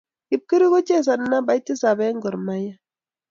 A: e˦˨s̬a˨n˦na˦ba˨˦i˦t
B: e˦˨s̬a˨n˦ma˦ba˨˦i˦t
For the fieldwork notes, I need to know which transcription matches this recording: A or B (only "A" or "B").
A